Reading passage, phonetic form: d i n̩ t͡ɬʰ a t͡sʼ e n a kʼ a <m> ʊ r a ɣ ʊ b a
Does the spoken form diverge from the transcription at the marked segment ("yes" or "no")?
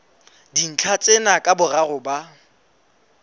yes